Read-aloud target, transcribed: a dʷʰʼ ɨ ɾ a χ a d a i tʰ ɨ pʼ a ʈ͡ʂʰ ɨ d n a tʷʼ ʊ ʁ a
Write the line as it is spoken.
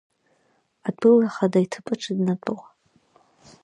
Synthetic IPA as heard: a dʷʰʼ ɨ l a χ a d a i tʰ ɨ pʼ a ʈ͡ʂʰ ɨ d n a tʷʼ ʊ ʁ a